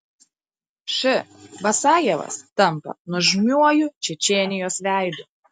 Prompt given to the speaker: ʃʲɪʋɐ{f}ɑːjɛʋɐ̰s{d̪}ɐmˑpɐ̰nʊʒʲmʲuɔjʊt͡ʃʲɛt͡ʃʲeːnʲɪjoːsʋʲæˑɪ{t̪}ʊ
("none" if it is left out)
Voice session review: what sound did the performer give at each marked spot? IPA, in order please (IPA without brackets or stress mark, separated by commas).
s, t̪, d̪